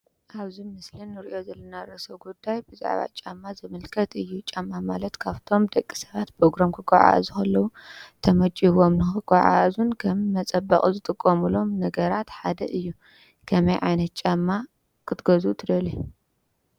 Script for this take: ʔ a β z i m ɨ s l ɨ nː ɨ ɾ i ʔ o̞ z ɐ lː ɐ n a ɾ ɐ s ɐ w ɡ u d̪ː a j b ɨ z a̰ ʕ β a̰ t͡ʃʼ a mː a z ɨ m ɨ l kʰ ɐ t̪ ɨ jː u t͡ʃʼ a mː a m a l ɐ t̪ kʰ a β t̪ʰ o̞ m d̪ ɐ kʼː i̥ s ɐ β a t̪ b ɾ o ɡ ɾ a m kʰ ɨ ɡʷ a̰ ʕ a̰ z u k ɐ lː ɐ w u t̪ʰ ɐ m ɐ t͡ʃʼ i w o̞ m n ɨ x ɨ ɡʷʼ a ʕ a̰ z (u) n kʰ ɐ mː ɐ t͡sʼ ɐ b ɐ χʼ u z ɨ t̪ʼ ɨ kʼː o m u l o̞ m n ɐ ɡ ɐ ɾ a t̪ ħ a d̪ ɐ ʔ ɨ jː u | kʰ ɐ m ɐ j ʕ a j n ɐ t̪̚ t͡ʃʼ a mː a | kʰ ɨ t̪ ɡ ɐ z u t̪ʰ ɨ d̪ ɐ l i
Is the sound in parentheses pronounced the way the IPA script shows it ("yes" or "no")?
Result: yes